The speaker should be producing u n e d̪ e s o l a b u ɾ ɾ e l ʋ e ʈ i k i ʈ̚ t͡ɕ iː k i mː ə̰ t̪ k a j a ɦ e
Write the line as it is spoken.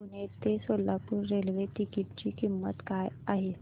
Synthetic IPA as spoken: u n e t̪ e s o l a p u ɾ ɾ e l ʋ e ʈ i k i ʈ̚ t͡ɕ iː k i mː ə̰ t̪ k a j a ɦ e

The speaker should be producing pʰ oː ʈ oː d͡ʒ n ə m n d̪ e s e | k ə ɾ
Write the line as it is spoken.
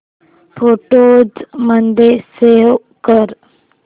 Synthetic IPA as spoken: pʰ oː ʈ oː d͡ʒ m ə n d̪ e s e | k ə ɾ

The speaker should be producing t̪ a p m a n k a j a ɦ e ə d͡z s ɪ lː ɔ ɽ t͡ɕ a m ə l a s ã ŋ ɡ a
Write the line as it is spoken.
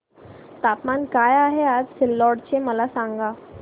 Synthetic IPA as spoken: t̪ a p m a n k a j a ɦ e a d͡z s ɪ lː ɔ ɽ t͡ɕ e m ə l a s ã ŋ ɡ a

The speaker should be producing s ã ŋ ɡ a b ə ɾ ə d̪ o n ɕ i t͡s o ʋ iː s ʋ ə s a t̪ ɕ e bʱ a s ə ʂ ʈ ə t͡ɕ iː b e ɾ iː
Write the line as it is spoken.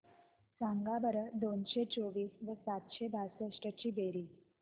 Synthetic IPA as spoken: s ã ŋ ɡ a b ə ɾ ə d̪ o n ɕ e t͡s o ʋ iː s ʋ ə s a t̪ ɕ e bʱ a s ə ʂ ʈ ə t͡ɕ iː b e ɾ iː

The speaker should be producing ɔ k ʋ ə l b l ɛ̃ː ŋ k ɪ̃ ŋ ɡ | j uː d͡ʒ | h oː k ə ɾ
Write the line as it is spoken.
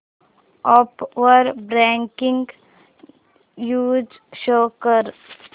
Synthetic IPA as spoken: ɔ p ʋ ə ɾ b ɾ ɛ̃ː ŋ k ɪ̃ ŋ ɡ | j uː d͡ʒ | ʃ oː k ə ɾ

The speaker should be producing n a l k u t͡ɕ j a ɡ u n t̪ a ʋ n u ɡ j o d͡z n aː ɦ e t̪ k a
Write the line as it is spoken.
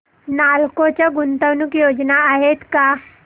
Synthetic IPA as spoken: n a l k o t͡ɕ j a ɡ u n t̪ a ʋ n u k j o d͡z n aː ɦ e t̪ k a

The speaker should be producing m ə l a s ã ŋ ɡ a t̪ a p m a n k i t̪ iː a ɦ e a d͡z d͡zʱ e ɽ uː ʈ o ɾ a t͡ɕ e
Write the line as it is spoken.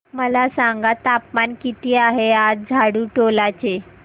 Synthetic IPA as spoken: m ə l a s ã ŋ ɡ a t̪ a p m a n k i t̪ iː a ɦ e a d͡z d͡zʱ a ɽ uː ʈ o l a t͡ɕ e

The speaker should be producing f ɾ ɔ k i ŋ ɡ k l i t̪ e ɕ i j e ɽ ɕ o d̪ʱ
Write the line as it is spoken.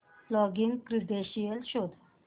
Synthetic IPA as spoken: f l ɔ ɡ i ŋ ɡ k ɾ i d̪ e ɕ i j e l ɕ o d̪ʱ

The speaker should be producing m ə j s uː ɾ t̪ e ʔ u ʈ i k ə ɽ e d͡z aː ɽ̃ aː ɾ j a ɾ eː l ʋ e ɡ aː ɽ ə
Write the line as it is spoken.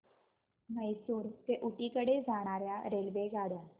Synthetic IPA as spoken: m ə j s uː ɾ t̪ e ʔ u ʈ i k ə ɽ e d͡z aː ɽ̃ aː ɾ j a ɾ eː l ʋ e ɡ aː ɽ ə

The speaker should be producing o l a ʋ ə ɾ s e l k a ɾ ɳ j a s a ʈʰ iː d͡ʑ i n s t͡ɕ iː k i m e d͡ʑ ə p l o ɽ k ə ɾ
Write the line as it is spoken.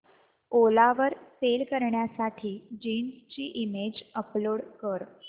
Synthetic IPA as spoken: o l a ʋ ə ɾ s e l k ə ɾ ɳ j a s a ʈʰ iː d͡ʑ i n s t͡ɕ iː ʔ i m e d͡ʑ ə p l o ɽ k ə ɾ

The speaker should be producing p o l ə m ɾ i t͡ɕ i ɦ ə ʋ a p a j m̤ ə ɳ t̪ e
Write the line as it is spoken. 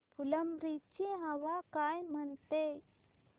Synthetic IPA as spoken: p u l ə m ɾ i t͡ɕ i ɦ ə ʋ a k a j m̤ ə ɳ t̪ e

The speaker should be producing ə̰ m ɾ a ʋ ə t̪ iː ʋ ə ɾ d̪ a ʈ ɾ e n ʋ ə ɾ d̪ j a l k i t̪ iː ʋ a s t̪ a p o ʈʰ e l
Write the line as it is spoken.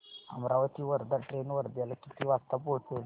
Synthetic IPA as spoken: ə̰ m ɾ a ʋ ə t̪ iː ʋ ə ɾ d̪ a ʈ ɾ e n ʋ ə ɾ d̪ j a l k i t̪ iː ʋ a s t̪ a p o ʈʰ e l

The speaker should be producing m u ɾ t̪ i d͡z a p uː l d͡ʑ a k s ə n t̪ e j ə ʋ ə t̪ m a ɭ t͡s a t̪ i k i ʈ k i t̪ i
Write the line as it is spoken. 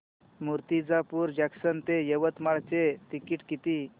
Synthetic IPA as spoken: m u ɾ t̪ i d͡z a p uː ɾ d͡ʑ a k s ə n t̪ e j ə ʋ ə t̪ m a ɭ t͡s e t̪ i k i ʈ k i t̪ i

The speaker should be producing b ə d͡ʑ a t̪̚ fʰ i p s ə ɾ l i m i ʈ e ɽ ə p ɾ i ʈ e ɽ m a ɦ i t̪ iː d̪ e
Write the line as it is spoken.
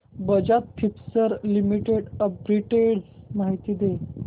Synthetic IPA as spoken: b ə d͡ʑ a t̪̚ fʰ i p s ə ɾ l i m i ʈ e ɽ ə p ɾ i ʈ e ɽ m a ɦ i t̪ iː d̪ e

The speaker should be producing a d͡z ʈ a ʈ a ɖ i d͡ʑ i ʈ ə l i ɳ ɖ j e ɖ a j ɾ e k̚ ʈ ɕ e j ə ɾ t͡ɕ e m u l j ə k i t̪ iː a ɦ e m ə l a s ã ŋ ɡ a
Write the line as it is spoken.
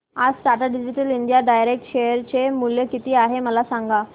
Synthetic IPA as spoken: a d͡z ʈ a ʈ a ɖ i d͡ʑ i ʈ ə l i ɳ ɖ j a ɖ a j ɾ e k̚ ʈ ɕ e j ə ɾ t͡ɕ e m u l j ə k i t̪ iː a ɦ e m ə l a s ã ŋ ɡ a

